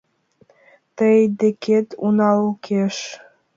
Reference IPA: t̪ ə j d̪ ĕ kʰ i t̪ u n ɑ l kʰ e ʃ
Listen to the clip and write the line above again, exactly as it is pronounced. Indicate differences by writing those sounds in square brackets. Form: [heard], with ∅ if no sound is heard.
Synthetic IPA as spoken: t̪ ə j d̪ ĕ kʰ [e] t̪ u n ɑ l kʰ e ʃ